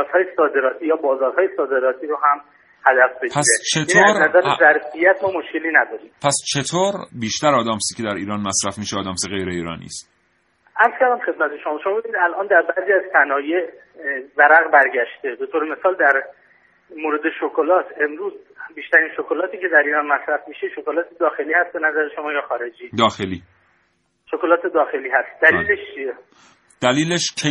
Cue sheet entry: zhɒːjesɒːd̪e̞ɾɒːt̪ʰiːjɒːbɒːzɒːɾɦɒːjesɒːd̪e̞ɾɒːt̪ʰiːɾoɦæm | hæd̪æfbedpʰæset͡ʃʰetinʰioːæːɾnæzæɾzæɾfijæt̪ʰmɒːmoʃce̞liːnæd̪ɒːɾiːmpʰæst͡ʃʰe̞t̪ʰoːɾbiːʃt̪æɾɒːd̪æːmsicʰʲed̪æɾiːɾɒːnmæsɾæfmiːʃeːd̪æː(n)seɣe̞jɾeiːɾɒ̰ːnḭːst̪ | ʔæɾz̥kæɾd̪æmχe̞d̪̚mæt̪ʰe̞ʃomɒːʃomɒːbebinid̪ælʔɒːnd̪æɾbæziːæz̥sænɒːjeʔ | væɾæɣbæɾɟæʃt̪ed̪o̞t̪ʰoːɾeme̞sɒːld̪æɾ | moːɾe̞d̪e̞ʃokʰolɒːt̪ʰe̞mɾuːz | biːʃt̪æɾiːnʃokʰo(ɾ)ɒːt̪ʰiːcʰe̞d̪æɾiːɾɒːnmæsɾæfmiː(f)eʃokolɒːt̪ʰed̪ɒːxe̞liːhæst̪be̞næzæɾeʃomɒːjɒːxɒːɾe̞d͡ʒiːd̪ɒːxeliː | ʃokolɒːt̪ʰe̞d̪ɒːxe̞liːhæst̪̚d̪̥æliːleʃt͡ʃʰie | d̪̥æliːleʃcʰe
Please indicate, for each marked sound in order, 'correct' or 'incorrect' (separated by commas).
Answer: incorrect, incorrect, incorrect